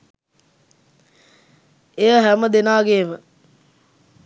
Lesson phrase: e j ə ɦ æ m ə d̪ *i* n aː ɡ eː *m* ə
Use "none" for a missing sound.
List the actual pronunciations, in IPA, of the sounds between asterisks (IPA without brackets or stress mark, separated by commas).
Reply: e, m